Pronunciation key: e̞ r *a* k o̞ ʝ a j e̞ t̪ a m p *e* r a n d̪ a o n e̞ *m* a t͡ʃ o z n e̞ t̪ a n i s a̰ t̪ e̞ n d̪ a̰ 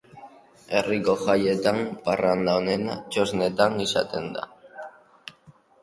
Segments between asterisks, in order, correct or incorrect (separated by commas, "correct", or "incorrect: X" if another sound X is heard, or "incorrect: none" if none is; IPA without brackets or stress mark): incorrect: i, incorrect: a, incorrect: n